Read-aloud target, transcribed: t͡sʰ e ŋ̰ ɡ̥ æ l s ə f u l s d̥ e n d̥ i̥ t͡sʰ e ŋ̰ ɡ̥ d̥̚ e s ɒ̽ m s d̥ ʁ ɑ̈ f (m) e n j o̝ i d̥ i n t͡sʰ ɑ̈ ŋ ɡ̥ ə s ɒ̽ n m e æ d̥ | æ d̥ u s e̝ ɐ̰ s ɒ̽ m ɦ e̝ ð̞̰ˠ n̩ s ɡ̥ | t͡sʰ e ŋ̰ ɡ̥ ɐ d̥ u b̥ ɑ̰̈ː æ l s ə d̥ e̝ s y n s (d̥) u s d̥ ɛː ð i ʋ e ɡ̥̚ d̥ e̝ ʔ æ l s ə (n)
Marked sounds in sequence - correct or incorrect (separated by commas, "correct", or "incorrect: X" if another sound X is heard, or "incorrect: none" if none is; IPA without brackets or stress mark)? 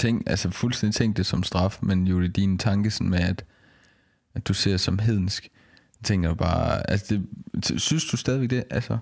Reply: correct, correct, incorrect: none